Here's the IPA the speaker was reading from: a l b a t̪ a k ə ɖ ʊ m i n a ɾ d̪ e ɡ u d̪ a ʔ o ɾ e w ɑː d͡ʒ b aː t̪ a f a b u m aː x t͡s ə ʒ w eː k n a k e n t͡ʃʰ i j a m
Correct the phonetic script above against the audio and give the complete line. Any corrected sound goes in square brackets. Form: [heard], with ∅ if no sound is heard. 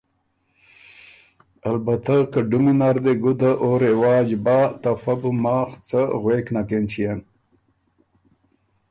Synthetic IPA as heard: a l b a t̪ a k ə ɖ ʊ m i n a ɾ d̪ e ɡ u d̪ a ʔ o ɾ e w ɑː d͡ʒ b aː t̪ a f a b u m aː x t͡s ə [ɣ] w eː k n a k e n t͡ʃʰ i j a [n]